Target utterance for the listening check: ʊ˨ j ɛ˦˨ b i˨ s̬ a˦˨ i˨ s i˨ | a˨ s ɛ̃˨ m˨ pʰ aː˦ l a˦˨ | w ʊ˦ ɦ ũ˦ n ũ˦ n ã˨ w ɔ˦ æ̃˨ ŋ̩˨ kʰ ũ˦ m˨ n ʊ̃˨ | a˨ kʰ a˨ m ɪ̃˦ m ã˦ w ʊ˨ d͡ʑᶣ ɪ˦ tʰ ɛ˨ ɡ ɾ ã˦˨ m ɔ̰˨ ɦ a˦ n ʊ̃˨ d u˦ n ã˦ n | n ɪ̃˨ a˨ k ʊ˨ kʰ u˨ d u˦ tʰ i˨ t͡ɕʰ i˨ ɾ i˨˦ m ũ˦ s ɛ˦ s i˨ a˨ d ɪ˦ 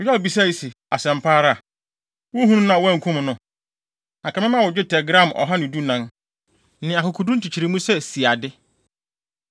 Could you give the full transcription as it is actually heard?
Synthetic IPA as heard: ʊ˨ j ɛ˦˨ b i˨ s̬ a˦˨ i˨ s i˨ | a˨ s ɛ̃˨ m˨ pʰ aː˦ ɾ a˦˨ | w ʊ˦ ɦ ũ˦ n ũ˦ n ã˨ w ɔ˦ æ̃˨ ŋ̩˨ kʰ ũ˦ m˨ n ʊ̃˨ | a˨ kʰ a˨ m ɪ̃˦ m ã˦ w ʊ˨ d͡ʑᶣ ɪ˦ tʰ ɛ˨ ɡ ɾ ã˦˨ m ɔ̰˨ ɦ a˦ n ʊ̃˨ d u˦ n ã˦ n | n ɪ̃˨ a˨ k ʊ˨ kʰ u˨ d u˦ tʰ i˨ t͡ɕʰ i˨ ɾ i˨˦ m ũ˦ s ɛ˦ s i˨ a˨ d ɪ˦